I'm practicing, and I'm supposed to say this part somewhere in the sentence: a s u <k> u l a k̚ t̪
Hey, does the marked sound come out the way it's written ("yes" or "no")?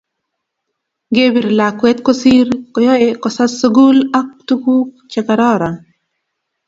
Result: no